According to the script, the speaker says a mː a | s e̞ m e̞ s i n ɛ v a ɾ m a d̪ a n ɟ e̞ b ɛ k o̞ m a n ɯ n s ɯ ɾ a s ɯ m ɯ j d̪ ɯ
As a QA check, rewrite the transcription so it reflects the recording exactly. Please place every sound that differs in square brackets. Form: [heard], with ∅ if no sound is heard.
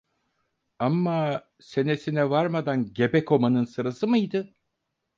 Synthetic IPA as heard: a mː a | s e̞ [n] e̞ s i n ɛ v a ɾ m a d̪ a n ɟ e̞ b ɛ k o̞ m a n ɯ n s ɯ ɾ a s ɯ m ɯ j d̪ ɯ